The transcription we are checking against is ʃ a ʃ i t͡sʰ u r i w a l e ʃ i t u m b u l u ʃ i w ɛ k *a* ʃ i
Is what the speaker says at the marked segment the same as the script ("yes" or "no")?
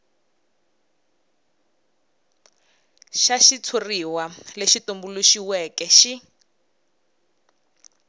no